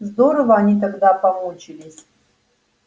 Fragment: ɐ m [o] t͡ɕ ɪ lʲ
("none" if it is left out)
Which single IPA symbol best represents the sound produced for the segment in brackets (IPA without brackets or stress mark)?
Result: u